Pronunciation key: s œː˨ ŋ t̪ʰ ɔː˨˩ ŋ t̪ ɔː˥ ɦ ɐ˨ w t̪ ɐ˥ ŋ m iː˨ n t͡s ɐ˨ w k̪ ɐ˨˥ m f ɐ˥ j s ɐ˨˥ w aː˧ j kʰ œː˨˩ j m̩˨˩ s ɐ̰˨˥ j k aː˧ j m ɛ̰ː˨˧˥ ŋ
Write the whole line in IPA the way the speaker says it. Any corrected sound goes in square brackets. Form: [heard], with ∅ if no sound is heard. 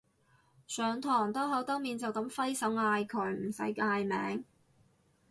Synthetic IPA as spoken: s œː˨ ŋ t̪ʰ ɔː˨˩ ŋ t̪ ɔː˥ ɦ [ɐ˨˥] w t̪ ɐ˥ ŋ m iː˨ n t͡s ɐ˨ w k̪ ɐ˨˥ m f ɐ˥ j s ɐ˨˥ w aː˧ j kʰ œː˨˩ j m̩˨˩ s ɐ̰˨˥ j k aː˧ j m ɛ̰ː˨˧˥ ŋ